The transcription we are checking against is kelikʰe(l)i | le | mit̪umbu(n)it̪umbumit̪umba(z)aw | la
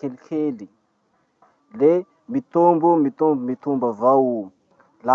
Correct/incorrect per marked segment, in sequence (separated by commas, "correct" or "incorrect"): correct, incorrect, incorrect